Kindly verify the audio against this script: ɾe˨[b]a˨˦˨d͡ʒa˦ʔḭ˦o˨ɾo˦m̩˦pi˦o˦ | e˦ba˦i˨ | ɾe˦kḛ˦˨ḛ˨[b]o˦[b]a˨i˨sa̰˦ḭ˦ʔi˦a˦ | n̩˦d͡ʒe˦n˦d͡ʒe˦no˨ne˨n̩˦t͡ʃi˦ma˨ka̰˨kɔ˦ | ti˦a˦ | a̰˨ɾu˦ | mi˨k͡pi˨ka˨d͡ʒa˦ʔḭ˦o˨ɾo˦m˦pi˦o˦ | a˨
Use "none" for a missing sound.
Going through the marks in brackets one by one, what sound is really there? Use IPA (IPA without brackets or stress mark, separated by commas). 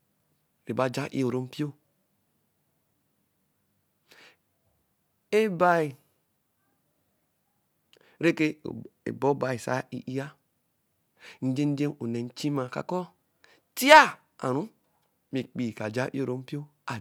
b, b, b